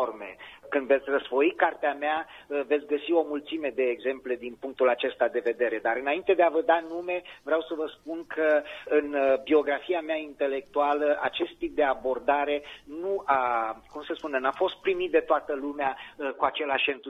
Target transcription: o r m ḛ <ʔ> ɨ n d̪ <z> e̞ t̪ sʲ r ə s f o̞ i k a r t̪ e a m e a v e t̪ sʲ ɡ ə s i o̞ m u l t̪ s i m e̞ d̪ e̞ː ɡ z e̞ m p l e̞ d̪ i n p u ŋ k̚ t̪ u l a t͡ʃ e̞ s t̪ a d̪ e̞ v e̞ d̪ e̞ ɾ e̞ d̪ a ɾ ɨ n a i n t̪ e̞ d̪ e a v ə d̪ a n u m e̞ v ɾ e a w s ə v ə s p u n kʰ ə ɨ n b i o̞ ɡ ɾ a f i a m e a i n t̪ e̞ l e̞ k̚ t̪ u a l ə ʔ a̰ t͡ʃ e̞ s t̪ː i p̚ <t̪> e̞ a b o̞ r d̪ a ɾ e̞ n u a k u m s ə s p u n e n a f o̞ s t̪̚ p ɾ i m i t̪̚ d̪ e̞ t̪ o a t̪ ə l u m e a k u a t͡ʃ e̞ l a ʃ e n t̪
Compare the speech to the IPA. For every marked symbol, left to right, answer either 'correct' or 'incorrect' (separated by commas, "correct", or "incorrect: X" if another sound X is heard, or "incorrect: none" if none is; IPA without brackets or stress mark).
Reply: incorrect: k, incorrect: v, incorrect: d̪